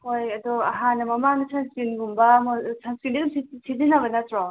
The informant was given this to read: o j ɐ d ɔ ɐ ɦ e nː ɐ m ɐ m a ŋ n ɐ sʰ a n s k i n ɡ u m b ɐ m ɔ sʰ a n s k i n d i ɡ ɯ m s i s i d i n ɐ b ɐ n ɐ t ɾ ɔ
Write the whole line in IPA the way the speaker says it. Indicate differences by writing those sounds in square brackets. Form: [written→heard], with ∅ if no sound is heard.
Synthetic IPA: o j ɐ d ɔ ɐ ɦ [e→a] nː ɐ m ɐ m a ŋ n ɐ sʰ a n s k i n ɡ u m b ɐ m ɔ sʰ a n s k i n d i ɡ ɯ m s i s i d i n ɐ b ɐ n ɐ t ɾ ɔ